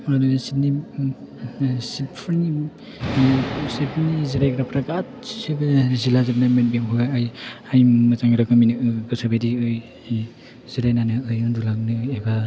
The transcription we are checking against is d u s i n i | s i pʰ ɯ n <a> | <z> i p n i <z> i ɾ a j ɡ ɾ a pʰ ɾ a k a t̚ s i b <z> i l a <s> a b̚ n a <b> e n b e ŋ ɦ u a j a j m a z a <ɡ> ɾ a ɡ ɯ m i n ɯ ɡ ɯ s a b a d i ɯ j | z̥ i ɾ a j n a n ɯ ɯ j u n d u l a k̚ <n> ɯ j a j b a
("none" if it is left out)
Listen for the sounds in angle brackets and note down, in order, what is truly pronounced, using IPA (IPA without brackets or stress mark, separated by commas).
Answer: i, s, z, z, z, m, ŋ, n